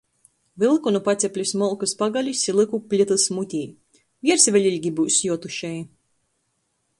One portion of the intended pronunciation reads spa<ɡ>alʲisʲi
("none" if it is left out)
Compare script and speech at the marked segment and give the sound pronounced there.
ɡ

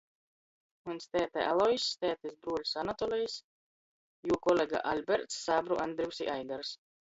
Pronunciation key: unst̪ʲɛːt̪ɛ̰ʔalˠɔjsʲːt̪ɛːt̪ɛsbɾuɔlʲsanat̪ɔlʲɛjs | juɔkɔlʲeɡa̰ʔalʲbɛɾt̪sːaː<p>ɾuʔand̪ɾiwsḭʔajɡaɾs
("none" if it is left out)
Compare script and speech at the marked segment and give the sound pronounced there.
b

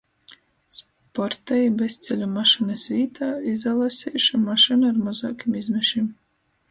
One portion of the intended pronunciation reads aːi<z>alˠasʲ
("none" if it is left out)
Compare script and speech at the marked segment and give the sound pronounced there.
z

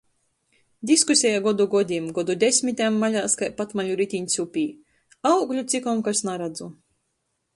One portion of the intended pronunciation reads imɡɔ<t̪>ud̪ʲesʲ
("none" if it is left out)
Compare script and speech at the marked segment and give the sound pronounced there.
d̪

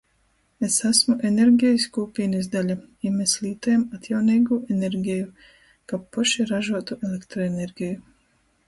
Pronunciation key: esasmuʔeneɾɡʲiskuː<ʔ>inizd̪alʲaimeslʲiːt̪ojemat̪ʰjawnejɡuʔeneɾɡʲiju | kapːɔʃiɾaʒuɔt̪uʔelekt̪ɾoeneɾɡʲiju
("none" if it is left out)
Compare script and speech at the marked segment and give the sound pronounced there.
p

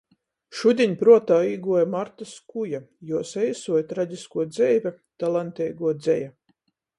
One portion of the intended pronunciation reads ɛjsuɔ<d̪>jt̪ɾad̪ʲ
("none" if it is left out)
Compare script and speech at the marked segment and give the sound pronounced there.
none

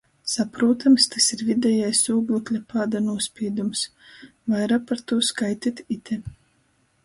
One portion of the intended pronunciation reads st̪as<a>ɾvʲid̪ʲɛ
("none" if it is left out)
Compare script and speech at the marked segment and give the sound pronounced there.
i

